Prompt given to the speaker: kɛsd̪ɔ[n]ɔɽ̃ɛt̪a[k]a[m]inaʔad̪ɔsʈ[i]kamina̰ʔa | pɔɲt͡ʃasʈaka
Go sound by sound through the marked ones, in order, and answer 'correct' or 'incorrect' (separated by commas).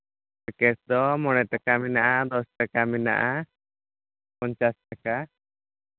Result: incorrect, correct, correct, incorrect